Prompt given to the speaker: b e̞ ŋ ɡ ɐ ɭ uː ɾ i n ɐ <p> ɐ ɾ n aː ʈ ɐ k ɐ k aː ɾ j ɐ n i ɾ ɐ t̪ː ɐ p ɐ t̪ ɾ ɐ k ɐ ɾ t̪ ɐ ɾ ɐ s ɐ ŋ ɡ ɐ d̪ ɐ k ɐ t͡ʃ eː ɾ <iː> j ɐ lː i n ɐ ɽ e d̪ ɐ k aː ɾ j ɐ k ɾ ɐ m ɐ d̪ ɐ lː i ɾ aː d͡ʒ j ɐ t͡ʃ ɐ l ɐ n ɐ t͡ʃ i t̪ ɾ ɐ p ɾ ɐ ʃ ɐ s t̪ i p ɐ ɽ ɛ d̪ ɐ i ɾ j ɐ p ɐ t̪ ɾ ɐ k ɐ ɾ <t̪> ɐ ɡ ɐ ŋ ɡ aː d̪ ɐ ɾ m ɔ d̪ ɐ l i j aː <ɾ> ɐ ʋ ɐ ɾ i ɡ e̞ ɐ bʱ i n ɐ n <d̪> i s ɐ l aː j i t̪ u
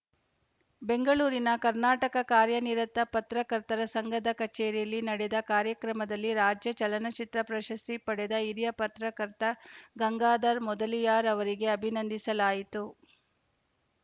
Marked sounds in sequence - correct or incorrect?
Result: incorrect: k, incorrect: i, correct, correct, correct

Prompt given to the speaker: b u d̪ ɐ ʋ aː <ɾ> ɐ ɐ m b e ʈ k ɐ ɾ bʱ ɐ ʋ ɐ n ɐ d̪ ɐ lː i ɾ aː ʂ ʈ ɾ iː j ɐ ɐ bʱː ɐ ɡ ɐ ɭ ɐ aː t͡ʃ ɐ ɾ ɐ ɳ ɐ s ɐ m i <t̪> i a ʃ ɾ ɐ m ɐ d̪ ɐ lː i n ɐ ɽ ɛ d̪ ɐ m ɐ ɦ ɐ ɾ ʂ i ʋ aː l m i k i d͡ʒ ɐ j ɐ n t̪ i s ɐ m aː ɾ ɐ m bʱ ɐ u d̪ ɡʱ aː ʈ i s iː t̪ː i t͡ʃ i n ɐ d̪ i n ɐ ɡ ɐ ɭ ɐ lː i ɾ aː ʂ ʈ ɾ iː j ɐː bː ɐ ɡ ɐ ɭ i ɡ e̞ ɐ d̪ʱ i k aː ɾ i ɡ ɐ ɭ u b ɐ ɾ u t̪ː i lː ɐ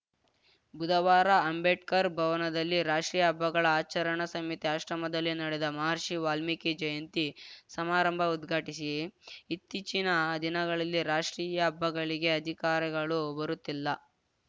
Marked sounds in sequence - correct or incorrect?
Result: correct, correct

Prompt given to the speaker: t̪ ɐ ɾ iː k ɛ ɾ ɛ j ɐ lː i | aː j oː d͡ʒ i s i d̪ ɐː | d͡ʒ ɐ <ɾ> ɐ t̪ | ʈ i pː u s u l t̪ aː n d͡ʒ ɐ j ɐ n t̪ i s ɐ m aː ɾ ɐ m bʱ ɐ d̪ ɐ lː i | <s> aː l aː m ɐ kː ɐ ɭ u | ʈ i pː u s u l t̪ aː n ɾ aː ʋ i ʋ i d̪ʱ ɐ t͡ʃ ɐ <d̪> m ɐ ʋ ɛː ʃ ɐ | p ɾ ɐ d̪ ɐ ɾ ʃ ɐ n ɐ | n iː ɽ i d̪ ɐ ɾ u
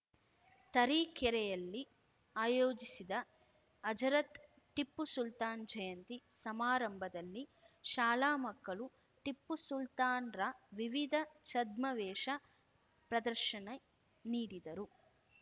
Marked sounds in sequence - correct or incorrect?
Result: correct, incorrect: ʃ, correct

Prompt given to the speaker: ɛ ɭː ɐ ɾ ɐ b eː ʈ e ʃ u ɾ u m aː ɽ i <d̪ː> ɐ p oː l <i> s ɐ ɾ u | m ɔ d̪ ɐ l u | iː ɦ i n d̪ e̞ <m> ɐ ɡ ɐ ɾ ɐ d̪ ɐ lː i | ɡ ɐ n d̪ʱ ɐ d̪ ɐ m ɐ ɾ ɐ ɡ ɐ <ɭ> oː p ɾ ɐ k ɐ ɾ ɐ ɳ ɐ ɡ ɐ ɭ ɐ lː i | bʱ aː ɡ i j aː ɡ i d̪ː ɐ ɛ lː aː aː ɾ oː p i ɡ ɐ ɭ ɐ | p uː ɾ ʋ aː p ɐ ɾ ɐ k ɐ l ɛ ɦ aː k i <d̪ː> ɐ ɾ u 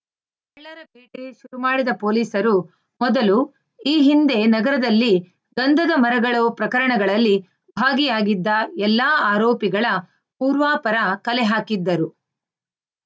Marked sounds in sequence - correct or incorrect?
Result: incorrect: d̪, incorrect: iː, incorrect: n, correct, correct

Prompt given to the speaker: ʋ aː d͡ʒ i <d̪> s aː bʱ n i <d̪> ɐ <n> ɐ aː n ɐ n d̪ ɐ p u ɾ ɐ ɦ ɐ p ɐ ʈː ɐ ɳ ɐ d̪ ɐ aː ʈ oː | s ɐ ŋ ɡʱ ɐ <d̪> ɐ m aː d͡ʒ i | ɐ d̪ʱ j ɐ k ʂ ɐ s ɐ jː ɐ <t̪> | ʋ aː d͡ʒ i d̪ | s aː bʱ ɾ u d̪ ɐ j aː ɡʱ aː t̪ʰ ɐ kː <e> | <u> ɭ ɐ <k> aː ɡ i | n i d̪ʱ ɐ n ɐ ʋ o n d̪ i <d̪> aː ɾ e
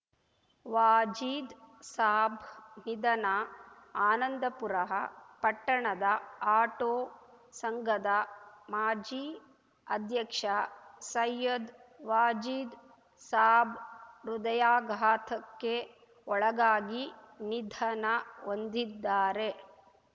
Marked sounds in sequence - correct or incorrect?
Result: correct, correct, correct, correct, incorrect: d̪, correct, incorrect: ɔ, incorrect: ɡ, incorrect: d̪ː

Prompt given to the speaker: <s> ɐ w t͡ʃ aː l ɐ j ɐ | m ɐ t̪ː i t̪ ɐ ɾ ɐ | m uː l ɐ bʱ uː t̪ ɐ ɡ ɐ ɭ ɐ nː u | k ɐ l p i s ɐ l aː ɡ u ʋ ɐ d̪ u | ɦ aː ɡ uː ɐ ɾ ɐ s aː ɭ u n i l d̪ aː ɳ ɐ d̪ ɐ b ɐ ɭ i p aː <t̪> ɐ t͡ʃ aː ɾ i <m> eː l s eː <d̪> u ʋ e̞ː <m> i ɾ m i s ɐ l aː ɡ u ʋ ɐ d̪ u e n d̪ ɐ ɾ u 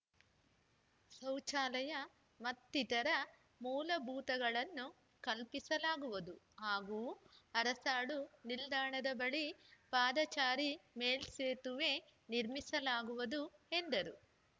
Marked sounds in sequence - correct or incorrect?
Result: correct, incorrect: d̪, correct, incorrect: t̪, incorrect: n

